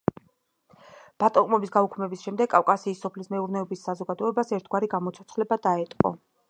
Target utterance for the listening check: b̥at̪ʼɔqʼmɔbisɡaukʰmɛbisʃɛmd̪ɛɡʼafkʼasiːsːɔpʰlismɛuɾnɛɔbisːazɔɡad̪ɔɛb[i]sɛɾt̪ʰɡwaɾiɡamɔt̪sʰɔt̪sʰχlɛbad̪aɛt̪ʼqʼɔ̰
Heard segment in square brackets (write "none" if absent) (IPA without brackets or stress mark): a